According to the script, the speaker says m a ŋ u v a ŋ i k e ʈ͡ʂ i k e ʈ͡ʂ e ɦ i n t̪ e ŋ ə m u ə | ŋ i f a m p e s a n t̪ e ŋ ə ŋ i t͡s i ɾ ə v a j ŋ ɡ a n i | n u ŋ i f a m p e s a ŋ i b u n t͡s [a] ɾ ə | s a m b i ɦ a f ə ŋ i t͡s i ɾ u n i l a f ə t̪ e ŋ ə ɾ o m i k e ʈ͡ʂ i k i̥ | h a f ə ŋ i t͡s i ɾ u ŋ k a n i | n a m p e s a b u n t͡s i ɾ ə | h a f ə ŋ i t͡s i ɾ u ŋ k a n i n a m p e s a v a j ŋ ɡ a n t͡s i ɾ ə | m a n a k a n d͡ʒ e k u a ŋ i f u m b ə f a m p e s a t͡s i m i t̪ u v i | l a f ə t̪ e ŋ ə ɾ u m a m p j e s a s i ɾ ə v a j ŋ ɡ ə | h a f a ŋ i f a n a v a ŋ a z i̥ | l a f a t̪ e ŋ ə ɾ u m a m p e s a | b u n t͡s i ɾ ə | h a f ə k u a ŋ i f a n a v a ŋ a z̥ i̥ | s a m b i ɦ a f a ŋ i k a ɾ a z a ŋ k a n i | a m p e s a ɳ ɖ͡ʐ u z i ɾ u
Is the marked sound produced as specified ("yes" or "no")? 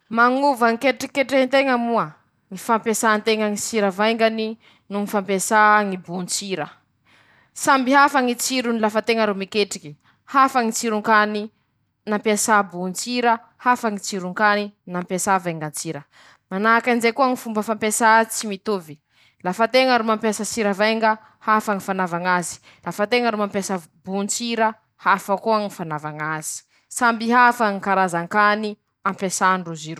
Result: no